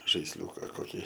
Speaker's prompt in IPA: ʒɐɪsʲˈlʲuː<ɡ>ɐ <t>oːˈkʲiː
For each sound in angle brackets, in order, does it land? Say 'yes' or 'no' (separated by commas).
no, no